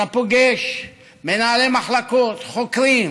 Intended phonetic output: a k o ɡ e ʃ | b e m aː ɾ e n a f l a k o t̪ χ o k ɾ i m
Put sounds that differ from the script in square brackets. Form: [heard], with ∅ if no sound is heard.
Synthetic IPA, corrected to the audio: a [p] o ɡ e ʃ | [m] e [n] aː [l] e [m] a [χ] l a k o t̪ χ o k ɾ i m